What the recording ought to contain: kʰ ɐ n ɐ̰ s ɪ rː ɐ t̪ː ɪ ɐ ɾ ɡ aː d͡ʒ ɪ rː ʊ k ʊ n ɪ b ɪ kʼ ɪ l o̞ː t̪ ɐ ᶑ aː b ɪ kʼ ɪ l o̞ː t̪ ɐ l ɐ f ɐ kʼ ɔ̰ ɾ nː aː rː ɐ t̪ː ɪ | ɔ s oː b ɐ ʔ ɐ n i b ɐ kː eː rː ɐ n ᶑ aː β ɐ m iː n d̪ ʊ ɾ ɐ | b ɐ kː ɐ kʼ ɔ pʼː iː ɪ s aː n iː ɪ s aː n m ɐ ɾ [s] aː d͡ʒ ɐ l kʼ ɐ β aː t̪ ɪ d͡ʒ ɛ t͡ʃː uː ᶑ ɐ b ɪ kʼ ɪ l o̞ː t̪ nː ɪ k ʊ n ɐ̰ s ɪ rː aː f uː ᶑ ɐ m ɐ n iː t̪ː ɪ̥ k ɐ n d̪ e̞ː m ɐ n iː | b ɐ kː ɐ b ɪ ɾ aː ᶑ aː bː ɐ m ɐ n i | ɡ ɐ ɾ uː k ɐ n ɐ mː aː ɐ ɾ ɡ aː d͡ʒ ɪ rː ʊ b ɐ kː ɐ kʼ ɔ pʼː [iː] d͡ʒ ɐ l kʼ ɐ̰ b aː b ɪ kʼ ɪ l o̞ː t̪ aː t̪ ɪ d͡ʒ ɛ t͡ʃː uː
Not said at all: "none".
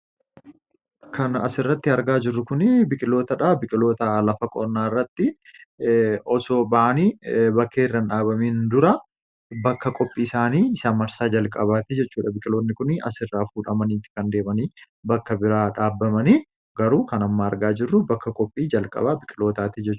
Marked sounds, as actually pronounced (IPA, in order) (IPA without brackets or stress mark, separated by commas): s, iː